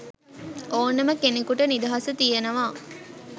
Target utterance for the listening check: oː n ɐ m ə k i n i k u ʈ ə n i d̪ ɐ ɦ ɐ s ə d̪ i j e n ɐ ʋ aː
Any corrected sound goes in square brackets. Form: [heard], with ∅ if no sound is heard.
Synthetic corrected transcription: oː n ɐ m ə k [e] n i k u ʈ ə n i d̪ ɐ ɦ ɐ s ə [t̪] i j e n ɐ ʋ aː